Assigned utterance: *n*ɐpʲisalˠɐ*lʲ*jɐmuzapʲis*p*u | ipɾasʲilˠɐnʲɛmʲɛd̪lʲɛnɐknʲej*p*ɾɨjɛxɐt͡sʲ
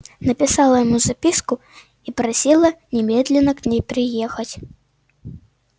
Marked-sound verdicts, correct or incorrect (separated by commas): correct, incorrect, incorrect, correct